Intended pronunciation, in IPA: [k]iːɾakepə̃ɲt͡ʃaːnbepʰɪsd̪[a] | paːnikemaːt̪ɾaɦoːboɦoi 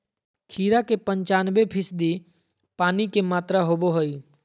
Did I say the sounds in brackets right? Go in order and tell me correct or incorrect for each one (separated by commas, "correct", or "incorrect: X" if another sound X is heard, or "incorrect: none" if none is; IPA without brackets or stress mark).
incorrect: kʰ, incorrect: i